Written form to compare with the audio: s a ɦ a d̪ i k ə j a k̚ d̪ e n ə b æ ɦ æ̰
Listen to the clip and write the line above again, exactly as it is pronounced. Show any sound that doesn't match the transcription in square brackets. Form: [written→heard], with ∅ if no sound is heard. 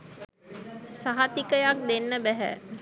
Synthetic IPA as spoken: s a ɦ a [d̪→t̪] i k ə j a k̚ d̪ e [n→nː] ə b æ ɦ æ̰